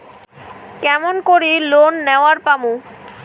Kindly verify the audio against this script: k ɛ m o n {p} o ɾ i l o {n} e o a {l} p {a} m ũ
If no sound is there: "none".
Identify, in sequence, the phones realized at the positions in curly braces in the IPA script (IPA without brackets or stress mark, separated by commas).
k, nː, ɾ, a